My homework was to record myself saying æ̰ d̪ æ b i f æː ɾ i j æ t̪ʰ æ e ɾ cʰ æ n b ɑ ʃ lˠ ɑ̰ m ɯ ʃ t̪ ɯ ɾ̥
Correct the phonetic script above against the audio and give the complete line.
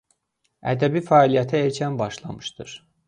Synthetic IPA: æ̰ d̪ æ b i f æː l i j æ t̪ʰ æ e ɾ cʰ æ n b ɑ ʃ lˠ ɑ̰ m ɯ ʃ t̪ ɯ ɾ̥